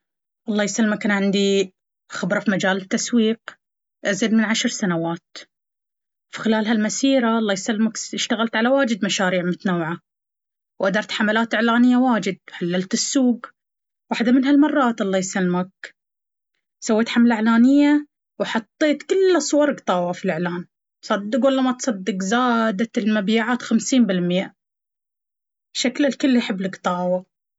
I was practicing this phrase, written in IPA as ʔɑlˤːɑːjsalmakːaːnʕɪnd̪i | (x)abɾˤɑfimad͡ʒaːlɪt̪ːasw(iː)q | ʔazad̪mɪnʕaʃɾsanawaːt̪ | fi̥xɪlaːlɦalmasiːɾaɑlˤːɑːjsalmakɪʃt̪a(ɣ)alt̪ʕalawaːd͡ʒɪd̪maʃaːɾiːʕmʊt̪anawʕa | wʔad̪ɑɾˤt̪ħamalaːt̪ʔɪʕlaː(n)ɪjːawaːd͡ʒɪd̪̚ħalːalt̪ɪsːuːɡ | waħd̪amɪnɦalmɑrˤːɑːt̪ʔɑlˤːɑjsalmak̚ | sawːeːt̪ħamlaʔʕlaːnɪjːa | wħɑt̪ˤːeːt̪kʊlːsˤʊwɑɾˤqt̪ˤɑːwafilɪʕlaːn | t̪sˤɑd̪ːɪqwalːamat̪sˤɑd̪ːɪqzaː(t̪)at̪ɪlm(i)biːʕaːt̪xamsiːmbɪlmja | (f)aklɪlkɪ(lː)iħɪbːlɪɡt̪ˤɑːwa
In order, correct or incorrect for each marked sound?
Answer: correct, correct, correct, correct, incorrect, incorrect, incorrect, correct

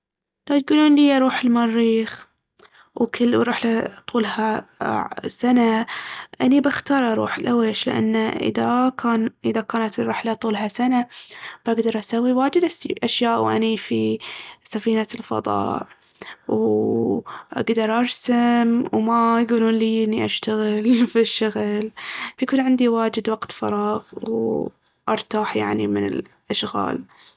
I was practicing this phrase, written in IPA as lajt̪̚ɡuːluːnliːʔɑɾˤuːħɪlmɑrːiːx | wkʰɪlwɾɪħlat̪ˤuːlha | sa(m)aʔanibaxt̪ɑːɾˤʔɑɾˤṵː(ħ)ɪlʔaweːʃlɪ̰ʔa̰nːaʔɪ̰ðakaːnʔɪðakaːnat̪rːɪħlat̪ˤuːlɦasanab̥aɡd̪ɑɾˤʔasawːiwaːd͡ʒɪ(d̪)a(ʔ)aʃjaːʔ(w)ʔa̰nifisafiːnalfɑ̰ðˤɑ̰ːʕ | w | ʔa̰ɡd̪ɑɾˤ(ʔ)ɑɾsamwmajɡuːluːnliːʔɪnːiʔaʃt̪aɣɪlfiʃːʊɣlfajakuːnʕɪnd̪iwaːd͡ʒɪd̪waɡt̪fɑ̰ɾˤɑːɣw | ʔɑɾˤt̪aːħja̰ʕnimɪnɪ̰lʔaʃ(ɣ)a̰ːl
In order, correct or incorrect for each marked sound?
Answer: incorrect, correct, correct, correct, correct, correct, correct

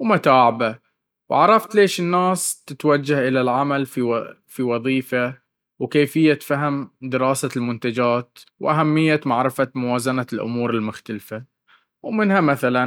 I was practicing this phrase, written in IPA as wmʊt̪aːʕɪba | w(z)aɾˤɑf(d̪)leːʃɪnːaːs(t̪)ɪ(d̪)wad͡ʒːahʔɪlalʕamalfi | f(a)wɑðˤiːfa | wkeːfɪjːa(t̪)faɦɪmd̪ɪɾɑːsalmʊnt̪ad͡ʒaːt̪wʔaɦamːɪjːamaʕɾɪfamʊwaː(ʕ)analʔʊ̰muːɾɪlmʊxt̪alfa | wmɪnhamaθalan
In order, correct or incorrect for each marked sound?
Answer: incorrect, incorrect, correct, incorrect, incorrect, correct, incorrect

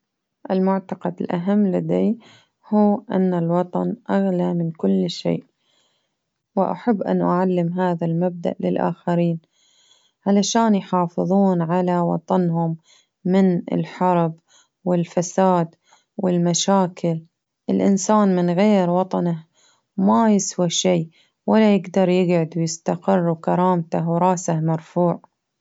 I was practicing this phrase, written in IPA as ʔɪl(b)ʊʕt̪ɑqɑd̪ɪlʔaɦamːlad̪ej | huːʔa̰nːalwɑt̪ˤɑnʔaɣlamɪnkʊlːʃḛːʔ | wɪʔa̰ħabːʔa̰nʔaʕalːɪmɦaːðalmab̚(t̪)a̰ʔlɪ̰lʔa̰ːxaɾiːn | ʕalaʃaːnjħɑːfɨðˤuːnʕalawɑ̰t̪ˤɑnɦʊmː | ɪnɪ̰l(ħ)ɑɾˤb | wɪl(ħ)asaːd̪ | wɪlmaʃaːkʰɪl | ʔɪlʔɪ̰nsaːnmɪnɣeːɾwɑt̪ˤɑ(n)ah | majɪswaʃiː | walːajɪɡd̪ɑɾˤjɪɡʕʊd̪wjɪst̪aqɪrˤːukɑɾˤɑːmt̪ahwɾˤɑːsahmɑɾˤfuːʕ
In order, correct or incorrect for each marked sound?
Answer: incorrect, incorrect, correct, incorrect, correct

